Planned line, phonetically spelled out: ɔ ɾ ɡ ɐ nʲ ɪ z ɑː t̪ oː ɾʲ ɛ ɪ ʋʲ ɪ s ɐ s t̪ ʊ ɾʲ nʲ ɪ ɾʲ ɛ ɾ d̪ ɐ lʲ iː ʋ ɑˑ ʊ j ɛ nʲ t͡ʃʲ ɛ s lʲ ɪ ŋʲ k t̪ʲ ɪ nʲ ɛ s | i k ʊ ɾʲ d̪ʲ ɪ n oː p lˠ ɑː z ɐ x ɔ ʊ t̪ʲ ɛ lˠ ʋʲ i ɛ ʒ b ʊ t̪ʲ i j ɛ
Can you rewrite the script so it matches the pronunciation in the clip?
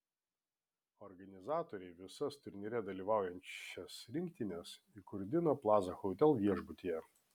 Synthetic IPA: ɔ ɾ ɡ ɐ nʲ ɪ z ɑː t̪ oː ɾʲ ɛ ɪ ʋʲ ɪ s ɐ s t̪ ʊ ɾʲ nʲ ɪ ɾʲ ɛ d̪ ɐ lʲ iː ʋ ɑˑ ʊ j ɛ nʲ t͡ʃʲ ɛ s ɾʲ ɪ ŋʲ k t̪ʲ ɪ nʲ ɛ s | i k ʊ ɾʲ d̪ʲ ɪ n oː p lˠ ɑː z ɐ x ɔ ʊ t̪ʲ ɛ lˠ ʋʲ i ɛ ʒ b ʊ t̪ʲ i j ɛ